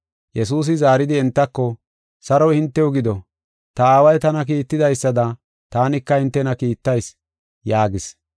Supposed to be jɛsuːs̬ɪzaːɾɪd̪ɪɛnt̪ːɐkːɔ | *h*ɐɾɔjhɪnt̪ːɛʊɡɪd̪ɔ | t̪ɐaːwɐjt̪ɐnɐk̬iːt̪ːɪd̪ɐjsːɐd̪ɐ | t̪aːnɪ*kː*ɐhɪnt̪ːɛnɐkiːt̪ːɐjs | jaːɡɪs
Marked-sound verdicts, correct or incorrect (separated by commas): incorrect, correct